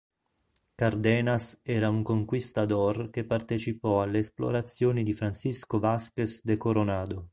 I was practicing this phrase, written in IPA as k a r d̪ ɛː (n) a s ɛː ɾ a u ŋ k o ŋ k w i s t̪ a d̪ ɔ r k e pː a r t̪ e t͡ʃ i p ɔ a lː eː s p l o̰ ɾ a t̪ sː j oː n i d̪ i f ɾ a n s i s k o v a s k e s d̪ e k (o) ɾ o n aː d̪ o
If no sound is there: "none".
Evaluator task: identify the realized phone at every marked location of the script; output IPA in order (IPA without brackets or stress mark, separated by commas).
n, o